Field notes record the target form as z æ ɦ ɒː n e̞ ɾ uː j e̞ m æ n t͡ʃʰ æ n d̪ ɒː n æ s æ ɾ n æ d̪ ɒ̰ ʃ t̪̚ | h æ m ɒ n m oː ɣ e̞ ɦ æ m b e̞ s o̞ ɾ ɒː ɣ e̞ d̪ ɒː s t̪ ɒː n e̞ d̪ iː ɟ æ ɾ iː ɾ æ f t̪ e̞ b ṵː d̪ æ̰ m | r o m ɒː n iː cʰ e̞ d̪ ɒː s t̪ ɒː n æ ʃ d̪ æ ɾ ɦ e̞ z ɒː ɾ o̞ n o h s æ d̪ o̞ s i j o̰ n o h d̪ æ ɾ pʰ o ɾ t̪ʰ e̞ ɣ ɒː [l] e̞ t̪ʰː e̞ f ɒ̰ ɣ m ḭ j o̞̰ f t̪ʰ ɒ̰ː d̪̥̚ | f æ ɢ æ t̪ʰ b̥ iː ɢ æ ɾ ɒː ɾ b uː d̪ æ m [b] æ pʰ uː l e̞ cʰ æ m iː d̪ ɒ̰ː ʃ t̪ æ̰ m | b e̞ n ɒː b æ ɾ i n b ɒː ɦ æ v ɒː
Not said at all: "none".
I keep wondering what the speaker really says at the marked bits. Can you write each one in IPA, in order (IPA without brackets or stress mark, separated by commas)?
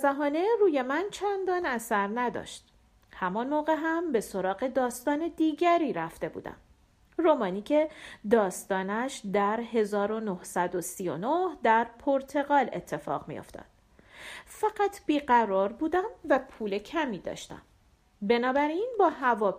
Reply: l, v